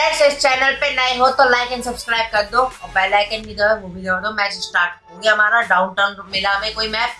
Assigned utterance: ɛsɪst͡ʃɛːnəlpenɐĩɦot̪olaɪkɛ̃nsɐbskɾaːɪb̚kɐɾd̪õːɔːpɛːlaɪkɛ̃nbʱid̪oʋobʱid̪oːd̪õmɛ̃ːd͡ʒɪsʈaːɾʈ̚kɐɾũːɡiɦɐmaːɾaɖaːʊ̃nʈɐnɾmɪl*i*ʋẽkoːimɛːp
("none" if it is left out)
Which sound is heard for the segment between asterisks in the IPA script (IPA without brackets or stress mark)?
a